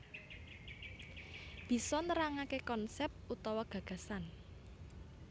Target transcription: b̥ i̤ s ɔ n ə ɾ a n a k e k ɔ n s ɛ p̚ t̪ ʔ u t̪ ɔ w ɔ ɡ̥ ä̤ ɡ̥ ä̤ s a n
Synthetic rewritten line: b̥ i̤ s ɔ n ə ɾ a ŋ a k e k ɔ n s ɛ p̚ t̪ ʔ u t̪ ɔ w ɔ ɡ̥ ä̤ ɡ̥ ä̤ s a n